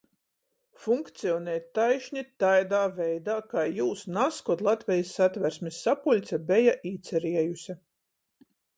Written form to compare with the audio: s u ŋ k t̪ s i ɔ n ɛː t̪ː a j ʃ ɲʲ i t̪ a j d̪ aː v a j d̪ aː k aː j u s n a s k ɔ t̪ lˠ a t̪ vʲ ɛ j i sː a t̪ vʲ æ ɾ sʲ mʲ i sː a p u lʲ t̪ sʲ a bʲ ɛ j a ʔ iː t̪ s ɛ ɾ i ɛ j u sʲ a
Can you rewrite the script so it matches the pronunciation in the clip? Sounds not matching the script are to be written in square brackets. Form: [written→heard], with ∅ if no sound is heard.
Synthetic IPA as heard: [s→f] u ŋ k t̪ s i ɔ n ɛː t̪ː a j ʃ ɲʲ i t̪ a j d̪ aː v [a→ɛ] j d̪ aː k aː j [u→uː] s n a s k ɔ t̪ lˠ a t̪ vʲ ɛ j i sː a t̪ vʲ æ ɾ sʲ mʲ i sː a p u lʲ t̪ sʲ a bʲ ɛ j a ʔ iː t̪ s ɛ ɾ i ɛ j u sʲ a